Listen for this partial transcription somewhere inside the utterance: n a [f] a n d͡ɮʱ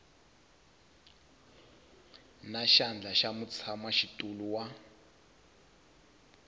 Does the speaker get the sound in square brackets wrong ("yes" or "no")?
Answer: yes